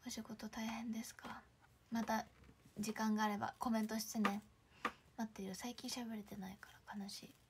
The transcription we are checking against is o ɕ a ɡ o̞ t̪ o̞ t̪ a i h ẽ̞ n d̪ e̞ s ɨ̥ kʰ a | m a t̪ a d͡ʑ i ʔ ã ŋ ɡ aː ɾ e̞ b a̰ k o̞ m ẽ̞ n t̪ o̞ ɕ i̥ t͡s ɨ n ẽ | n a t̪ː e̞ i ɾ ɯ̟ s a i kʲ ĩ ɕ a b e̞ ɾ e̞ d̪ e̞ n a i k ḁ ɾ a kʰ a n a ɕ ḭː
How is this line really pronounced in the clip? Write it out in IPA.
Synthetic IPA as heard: o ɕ i ɡ o̞ t̪ o̞ t̪ a i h ẽ̞ n d̪ e̞ s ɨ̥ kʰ a | m a t̪ a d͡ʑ i k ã ŋ ɡ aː ɾ e̞ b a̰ k o̞ m ẽ̞ n t̪ o̞ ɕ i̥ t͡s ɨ n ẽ | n a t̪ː e̞ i ɾ ɯ̟ s a i kʲ ĩ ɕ a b e̞ ɾ e̞ t̪ e̞ n a i k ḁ ɾ a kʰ a n a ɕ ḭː